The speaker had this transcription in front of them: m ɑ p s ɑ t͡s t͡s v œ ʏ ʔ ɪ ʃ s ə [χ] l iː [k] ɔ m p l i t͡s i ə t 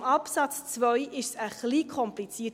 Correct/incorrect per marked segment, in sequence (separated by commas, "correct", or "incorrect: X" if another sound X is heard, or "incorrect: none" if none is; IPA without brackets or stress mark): correct, incorrect: kʰ